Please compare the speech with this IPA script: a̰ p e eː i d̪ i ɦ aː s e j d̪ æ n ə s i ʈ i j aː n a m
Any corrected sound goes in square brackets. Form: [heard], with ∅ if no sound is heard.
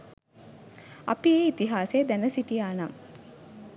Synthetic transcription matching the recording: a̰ p [i] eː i [t̪] i ɦ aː s e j d̪ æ n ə s i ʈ i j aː n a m